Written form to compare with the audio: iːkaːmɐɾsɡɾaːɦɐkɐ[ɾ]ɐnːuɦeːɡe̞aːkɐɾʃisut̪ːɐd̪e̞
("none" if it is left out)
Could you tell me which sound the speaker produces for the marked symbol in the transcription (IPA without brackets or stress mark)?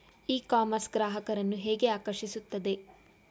ɾ